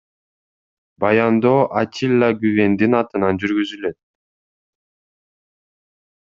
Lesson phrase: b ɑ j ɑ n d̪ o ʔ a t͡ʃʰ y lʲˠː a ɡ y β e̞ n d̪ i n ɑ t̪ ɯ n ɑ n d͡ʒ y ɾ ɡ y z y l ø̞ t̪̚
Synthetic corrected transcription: b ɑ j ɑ n d̪ o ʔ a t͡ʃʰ i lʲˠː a ɡ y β e̞ n d̪ i n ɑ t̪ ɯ n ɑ n d͡ʒ y ɾ ɡ y z y l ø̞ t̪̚